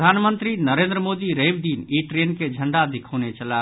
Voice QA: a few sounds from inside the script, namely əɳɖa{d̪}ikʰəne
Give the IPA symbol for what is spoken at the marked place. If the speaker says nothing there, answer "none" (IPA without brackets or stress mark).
d̪